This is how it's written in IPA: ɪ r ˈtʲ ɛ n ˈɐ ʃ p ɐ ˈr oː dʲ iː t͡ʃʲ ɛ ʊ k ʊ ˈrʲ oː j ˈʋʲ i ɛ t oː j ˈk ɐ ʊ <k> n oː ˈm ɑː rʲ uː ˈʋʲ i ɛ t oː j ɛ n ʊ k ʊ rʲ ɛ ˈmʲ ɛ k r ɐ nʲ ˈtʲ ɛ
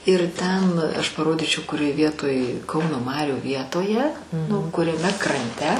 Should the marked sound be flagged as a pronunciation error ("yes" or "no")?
yes